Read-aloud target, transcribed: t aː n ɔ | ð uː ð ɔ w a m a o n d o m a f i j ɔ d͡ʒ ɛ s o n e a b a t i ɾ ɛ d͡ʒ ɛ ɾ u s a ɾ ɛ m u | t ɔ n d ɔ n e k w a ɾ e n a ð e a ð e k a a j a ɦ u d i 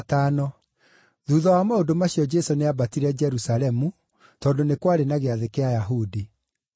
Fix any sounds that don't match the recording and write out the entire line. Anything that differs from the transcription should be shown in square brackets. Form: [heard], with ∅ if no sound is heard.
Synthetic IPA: t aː n ɔ | ð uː ð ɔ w a m a o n d o m a [ɕ] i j ɔ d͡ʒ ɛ s o n e a b a t i ɾ ɛ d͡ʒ ɛ ɾ u s a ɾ ɛ m u | t ɔ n d [o] n e k w a ɾ e n a [ɣ] e a ð e k [e] a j a ɦ u d i